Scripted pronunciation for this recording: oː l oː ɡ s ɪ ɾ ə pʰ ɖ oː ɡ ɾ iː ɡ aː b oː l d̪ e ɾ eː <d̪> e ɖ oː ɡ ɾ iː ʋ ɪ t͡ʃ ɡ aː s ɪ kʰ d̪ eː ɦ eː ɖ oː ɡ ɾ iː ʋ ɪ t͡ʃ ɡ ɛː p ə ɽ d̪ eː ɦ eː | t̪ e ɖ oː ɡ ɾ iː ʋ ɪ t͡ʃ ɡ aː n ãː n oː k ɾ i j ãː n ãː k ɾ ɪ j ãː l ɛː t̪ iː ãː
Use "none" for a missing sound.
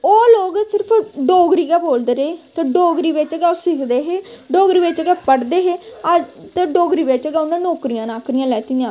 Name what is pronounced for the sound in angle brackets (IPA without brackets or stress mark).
t̪